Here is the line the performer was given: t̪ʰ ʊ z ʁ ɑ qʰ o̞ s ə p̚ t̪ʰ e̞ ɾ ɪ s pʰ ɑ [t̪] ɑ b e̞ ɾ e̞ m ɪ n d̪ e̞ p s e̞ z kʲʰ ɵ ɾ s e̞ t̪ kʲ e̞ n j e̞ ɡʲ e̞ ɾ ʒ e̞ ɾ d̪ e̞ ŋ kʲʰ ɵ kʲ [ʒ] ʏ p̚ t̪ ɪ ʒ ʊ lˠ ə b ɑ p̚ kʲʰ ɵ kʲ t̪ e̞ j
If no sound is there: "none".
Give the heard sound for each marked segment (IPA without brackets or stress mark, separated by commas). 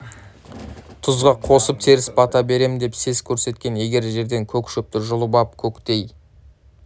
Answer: t̪, ʃ